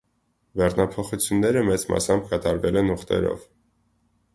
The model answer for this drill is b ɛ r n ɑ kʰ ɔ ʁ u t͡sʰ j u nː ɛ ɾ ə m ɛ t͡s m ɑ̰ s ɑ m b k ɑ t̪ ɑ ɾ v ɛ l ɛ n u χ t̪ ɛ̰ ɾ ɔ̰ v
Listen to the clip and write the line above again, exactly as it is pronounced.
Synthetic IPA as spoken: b ɛ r n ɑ pʰ ɔ χ u t͡sʰ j u nː ɛ ɾ ə m ɛ t͡s m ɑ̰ s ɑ m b k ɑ t̪ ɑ ɾ v ɛ l ɛ n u χ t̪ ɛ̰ ɾ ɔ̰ v